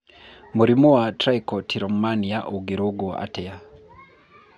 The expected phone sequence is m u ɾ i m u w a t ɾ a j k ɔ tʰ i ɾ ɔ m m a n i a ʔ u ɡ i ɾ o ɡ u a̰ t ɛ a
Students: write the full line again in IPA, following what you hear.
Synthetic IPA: m u ɾ i m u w a t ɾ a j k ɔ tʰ i ɾ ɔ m m a n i a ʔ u ɡ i ɾ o ɡ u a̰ t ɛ a